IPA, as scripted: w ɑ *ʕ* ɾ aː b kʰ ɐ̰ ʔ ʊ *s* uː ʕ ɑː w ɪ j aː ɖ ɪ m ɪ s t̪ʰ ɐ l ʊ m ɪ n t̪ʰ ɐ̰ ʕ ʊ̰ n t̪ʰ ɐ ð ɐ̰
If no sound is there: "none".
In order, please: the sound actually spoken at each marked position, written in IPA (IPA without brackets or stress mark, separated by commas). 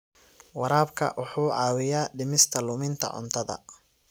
none, ħ